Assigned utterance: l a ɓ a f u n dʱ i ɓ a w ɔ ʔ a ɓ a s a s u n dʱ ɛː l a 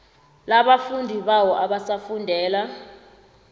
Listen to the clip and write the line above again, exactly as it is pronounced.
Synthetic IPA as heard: l a ɓ a f u n dʱ i ɓ a w ɔ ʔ a ɓ a s a f u n dʱ ɛː l a